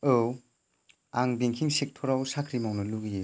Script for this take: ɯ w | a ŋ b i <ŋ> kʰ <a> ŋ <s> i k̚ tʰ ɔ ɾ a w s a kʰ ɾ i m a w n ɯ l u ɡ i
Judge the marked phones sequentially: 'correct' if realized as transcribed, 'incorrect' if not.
correct, incorrect: i, correct

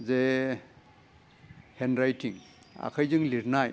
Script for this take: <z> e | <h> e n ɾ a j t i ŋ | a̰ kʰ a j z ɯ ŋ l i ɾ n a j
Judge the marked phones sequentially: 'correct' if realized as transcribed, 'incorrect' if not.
correct, correct

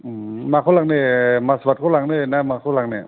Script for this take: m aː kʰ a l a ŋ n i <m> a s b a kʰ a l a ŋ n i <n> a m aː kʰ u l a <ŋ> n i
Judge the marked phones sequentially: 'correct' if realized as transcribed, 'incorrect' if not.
correct, correct, correct

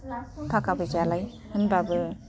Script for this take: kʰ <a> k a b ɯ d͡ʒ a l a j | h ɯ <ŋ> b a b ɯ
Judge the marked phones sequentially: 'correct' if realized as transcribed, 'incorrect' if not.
correct, incorrect: n

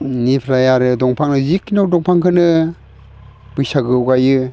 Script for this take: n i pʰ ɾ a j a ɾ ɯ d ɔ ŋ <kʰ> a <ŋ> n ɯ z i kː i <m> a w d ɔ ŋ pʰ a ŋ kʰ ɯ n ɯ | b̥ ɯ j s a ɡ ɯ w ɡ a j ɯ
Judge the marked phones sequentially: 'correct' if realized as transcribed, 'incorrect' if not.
incorrect: pʰ, correct, incorrect: n

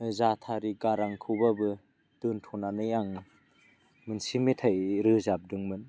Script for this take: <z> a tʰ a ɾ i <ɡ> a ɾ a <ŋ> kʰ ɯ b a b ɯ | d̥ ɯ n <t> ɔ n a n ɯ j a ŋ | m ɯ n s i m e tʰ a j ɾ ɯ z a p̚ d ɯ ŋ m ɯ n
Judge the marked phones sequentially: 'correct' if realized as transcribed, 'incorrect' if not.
correct, correct, correct, incorrect: tʰ

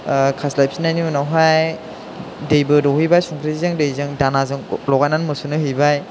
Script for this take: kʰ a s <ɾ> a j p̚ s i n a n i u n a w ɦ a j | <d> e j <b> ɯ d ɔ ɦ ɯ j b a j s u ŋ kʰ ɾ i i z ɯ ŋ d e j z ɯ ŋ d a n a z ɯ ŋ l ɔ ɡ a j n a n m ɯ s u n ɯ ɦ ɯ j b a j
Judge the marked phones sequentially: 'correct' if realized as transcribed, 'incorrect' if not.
incorrect: l, correct, correct

